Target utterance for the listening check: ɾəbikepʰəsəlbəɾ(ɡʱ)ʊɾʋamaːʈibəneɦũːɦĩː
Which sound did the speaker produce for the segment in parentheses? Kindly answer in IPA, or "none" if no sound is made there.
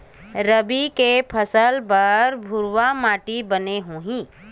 bʱ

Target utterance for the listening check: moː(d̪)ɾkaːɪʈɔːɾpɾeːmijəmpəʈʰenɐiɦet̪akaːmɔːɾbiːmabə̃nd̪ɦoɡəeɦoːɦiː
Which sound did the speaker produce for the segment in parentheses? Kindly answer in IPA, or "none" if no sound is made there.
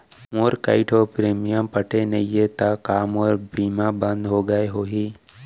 none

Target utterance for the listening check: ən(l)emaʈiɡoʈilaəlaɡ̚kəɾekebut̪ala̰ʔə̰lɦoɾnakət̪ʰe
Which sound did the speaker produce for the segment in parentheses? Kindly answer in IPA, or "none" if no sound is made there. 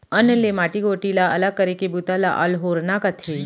l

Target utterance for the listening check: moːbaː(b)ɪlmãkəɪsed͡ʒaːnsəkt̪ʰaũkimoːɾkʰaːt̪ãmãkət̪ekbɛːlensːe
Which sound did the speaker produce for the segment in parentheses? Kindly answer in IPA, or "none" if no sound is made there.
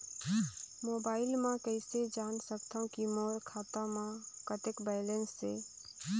none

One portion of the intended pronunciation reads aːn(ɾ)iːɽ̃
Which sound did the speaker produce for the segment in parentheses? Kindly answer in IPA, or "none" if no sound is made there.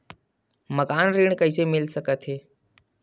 ɾ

